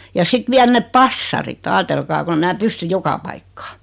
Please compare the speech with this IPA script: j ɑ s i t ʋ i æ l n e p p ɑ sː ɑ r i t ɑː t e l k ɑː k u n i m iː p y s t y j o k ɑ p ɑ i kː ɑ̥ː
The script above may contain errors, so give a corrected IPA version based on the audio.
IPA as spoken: j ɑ s i t ʋ i æ l n e p p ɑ sː ɑ r i t ɑː t e l k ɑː k o n e m æː p y s t y j o k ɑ p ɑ i kː ɑ̥ː